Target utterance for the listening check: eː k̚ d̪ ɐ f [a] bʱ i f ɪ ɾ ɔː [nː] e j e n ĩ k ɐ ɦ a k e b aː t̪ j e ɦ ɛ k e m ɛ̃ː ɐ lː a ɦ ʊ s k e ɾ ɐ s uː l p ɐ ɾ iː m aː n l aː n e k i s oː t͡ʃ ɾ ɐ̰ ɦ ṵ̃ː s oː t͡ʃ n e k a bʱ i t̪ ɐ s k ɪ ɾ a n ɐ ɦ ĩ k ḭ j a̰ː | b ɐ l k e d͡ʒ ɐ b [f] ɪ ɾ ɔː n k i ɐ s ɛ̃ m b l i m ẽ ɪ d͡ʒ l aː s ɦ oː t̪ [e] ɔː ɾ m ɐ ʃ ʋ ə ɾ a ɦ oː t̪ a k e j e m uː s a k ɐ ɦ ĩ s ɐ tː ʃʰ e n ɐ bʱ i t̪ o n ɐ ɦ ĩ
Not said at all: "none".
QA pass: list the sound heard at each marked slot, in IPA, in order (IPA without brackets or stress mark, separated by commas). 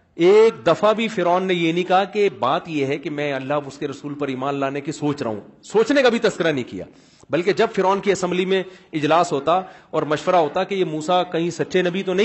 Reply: a, nː, f, a